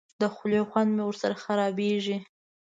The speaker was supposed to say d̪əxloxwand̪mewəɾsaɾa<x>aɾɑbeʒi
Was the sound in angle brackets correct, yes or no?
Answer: yes